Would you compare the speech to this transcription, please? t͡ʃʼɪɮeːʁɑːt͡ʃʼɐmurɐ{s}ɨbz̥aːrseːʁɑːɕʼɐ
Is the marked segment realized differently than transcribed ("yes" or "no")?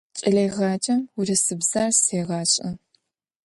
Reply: no